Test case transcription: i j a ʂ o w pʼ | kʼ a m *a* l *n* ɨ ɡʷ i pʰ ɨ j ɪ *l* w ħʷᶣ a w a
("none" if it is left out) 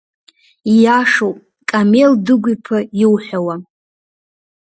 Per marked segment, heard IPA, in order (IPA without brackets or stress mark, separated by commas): e, d, none